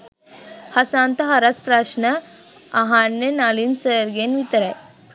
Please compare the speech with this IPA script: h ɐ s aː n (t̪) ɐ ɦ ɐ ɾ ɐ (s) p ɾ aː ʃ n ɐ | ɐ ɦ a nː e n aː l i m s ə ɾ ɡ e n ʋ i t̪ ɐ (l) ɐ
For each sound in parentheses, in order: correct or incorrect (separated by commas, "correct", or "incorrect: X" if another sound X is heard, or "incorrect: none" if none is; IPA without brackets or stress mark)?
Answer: correct, correct, incorrect: ɾ